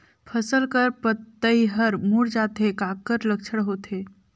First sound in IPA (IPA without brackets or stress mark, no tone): pʰ